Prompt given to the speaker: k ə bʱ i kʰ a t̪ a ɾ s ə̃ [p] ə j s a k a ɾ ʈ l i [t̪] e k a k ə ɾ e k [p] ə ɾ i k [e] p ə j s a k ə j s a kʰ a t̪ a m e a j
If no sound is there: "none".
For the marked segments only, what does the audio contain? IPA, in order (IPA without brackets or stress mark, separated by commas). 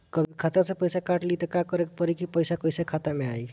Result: p, t̪, p, i